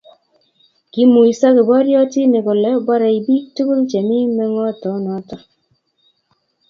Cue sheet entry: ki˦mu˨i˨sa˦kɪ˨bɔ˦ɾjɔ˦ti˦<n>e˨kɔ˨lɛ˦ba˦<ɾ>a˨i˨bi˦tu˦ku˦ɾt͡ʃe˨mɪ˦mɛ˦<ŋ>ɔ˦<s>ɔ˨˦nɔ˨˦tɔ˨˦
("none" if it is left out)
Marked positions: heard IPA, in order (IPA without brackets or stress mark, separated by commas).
n, ɾ, ŋ, t